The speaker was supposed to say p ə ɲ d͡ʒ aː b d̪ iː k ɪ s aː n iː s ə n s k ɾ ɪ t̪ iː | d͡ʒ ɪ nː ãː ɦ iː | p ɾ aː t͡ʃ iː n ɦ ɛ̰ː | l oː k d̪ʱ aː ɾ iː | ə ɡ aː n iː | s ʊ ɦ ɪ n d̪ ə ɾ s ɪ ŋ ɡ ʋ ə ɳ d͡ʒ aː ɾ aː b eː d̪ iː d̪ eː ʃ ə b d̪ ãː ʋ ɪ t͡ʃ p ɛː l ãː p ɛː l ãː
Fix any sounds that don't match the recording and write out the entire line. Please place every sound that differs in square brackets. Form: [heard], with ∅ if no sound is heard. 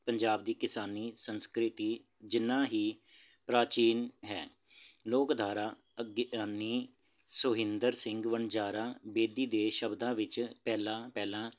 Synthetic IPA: p ə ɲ d͡ʒ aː b d̪ iː k ɪ s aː n iː s ə n s k ɾ ɪ t̪ iː | d͡ʒ ɪ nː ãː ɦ iː | p ɾ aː t͡ʃ iː n ɦ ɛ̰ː | l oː k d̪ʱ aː ɾ [aː] | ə ɡ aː n iː | s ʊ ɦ ɪ n d̪ ə ɾ s ɪ ŋ ɡ ʋ ə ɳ d͡ʒ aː ɾ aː b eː d̪ iː d̪ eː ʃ ə b d̪ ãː ʋ ɪ t͡ʃ p ɛː l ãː p ɛː l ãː